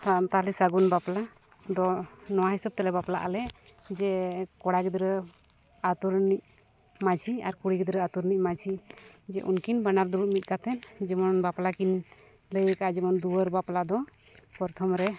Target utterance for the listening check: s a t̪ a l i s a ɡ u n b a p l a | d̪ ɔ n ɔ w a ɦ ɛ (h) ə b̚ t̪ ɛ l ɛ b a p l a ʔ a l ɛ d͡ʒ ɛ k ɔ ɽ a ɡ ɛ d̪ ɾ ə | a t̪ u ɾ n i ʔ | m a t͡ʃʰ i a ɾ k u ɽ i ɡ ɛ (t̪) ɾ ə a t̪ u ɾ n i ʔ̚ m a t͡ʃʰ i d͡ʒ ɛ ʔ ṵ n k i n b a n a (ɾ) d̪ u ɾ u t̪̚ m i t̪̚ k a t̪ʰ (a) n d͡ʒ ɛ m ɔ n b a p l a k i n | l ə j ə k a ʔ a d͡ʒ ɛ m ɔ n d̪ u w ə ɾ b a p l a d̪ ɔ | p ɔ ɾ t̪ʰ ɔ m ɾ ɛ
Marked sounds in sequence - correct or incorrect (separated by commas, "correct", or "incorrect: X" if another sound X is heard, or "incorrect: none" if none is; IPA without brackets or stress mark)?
incorrect: s, incorrect: d̪, correct, incorrect: ɛ